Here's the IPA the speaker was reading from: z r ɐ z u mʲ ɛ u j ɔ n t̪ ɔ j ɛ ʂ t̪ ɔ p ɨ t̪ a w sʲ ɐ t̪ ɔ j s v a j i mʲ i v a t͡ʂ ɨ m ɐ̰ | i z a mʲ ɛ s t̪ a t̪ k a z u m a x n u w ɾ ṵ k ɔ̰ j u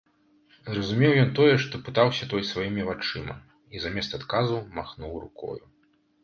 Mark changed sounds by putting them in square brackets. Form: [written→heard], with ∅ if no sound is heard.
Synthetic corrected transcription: z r ɐ z u mʲ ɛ [u→w] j ɔ n t̪ ɔ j ɛ ʂ t̪ ɔ p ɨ t̪ a w sʲ ɐ t̪ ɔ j s v a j i mʲ i v a t͡ʂ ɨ m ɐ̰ | i z a mʲ ɛ s t̪ a t̪ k a z u m a x n u w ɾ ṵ k ɔ̰ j u